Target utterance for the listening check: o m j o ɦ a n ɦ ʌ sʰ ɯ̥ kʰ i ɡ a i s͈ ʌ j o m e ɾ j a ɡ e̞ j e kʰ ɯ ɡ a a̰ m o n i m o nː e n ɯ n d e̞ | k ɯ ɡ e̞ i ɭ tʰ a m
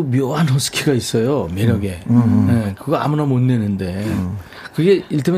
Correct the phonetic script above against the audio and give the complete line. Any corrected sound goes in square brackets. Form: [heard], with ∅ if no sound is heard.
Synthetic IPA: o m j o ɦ a n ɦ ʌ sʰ ɯ̥ kʰ i ɡ a i s͈ ʌ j o m e ɾ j [ʌ] ɡ e̞ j e [k] ɯ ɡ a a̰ m [u] n [a] m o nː e n ɯ n d e̞ | k ɯ ɡ e̞ i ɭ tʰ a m